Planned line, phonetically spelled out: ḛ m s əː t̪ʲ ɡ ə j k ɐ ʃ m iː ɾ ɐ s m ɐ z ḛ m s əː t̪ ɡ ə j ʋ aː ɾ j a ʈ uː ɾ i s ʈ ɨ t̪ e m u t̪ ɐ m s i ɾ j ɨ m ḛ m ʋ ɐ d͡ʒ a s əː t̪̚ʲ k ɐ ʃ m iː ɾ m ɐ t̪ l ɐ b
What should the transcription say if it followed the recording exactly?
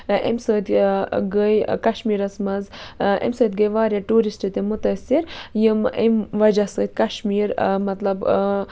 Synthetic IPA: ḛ m s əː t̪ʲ ɡ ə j k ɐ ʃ m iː ɾ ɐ s m ɐ z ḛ m s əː t̪ ɡ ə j ʋ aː ɾ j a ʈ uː ɾ i s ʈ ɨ t̪ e m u t̪ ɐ s i ɾ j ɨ m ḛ m ʋ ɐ d͡ʒ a s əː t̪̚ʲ k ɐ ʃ m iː ɾ m ɐ t̪ l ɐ b

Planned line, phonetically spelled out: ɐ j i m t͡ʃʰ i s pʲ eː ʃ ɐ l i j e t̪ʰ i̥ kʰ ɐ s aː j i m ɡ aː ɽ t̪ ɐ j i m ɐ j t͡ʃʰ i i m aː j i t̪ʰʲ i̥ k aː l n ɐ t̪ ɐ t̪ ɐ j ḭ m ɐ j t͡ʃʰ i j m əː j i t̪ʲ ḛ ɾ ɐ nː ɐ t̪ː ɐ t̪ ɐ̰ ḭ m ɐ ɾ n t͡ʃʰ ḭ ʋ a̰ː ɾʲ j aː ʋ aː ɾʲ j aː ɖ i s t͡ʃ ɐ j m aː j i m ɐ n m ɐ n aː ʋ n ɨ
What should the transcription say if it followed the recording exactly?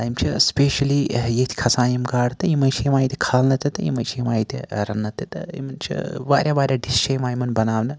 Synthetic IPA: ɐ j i m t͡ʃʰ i s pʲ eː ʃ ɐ l i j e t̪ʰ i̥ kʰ ɐ s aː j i m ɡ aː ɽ t̪ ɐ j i m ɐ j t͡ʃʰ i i m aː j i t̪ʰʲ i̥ kʰ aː l n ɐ t̪ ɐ t̪ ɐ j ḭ m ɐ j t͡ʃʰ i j m aː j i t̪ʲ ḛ ɾ ɐ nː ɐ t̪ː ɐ t̪ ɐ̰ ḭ m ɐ n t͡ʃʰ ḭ ʋ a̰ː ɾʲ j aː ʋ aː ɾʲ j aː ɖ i s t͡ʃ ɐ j m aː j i m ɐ n b ɐ n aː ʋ n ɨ

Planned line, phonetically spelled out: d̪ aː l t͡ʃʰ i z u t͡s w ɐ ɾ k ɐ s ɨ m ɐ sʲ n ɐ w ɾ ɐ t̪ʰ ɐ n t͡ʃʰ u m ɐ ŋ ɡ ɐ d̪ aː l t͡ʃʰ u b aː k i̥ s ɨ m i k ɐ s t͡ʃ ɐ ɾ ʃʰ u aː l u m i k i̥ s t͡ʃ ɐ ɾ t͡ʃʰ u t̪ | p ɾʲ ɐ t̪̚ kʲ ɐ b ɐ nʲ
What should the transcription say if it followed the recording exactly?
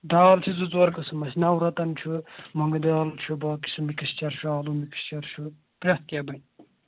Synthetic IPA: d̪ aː l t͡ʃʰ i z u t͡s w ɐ ɾ k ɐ s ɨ m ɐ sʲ n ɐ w ɾ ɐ t̪ ɐ n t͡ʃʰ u m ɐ ŋ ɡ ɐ d̪ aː l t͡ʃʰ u b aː k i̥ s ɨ m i k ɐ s t͡ʃ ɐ ɾ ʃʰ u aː l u m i k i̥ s t͡ʃ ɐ ɾ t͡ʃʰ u | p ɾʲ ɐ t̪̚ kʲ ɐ b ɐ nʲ

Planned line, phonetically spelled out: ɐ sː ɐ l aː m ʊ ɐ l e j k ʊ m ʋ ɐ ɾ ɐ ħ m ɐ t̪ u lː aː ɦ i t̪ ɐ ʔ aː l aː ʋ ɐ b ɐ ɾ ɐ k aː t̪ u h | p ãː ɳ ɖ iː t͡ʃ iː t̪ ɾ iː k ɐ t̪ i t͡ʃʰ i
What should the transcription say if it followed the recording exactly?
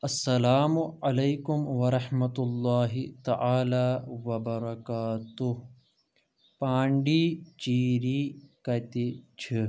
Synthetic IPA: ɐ sː ɐ l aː m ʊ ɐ l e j k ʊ m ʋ ɐ ɾ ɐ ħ m ɐ t̪ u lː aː ɦ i t̪ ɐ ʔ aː l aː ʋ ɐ b ɐ ɾ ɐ k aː t̪ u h | p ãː ɳ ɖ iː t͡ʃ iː ɾ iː k ɐ t̪ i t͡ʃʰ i

